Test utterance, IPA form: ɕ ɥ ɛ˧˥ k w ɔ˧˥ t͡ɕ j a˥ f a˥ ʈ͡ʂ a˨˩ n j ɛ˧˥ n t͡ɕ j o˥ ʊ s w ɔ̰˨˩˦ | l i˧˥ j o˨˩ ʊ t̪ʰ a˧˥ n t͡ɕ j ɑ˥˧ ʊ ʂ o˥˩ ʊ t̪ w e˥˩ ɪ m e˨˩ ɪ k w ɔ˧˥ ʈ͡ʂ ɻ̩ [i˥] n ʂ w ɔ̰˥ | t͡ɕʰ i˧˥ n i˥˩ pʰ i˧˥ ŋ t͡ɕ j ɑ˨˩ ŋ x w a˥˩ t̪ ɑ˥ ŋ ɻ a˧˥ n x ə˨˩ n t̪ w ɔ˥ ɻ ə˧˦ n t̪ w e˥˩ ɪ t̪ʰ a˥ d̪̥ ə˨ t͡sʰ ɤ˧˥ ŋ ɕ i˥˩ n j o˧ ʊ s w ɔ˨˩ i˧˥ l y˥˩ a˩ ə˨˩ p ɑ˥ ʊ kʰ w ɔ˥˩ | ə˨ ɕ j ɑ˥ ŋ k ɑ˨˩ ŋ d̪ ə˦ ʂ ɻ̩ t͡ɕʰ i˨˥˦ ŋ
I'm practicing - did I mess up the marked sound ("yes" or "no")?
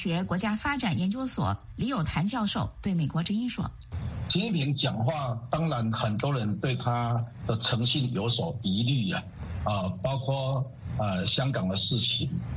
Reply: no